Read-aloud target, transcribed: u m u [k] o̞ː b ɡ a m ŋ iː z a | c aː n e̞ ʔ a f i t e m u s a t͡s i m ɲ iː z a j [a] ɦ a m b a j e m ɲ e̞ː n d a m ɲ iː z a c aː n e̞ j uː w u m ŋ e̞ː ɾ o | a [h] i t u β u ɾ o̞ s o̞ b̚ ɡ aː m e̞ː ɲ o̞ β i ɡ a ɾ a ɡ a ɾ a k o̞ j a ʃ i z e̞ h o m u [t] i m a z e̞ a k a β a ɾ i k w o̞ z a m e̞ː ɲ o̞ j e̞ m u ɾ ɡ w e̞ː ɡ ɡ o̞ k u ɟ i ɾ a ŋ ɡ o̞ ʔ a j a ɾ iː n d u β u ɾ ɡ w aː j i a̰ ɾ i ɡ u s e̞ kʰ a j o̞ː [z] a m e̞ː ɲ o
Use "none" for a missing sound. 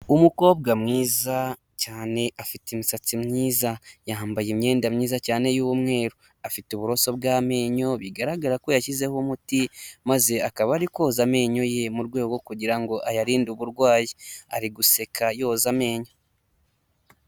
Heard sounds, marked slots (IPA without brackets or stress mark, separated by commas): k, a, f, t, z